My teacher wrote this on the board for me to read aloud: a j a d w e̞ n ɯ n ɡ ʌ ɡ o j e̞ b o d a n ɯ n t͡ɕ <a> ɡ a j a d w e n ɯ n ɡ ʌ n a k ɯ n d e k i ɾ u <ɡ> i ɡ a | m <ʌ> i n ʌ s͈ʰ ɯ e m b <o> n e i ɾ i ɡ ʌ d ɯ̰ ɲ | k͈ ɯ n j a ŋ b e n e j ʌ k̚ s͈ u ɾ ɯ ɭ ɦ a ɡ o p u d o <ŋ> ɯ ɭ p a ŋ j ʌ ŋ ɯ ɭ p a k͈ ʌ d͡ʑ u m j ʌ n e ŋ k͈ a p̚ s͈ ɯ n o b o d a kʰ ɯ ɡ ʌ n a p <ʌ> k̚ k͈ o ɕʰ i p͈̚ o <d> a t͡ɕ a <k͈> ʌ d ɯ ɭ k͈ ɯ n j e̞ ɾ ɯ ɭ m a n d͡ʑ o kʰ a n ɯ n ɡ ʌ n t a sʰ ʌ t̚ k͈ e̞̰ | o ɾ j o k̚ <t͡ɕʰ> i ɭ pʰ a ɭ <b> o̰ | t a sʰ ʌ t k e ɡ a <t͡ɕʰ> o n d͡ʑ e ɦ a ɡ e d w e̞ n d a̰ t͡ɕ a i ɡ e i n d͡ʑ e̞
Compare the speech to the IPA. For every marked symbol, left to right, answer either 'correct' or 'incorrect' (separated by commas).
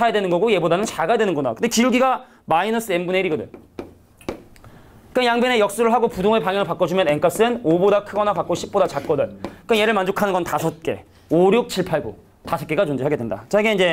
correct, correct, incorrect, incorrect, correct, incorrect, correct, correct, correct, incorrect, incorrect